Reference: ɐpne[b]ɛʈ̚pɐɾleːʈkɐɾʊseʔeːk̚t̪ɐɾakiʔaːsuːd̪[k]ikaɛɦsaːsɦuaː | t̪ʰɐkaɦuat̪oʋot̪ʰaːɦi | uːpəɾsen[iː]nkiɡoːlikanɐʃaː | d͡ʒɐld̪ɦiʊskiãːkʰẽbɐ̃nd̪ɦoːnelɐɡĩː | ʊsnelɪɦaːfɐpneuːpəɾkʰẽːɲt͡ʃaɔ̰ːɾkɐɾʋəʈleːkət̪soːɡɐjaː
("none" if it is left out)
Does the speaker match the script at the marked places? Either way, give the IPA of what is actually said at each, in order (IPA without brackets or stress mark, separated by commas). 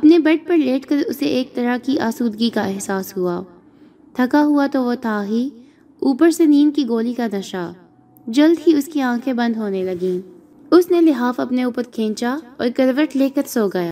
b, ɡ, iː